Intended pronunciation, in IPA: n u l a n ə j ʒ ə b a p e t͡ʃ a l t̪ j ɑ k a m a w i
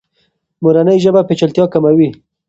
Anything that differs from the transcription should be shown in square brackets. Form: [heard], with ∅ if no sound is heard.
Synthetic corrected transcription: [m] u [ɾ] a n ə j ʒ ə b a p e t͡ʃ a l t̪ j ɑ k a m a w i